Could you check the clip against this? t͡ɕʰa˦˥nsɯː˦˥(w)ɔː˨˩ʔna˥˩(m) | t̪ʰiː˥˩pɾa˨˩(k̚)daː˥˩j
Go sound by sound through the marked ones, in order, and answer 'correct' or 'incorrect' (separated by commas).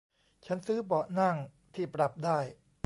incorrect, incorrect, incorrect